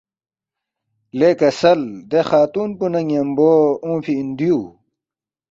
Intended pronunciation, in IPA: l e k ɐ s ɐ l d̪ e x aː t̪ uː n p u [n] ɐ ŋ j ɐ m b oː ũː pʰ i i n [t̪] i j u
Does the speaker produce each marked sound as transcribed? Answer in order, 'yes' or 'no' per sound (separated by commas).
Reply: yes, no